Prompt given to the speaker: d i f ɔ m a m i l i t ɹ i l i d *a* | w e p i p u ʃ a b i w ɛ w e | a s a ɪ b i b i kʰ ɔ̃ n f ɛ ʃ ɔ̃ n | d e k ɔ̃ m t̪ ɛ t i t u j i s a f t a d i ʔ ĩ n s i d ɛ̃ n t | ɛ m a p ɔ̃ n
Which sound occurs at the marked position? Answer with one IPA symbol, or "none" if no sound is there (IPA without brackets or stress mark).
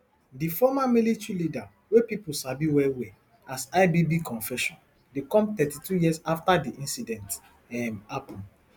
a